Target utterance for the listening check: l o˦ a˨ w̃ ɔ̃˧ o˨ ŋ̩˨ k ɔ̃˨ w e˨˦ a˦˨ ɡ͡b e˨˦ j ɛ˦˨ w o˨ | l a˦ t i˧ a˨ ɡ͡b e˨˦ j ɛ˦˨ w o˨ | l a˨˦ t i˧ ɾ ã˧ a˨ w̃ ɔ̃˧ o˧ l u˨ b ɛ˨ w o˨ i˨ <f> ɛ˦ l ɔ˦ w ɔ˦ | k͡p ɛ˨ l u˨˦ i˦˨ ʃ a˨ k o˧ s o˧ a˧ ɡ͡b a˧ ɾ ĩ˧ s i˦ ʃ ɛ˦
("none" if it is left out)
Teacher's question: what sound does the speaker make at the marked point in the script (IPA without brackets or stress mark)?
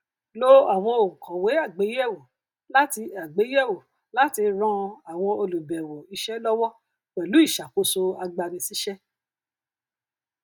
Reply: ʃ